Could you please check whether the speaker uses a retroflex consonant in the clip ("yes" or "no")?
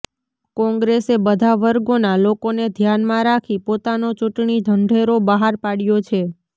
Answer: yes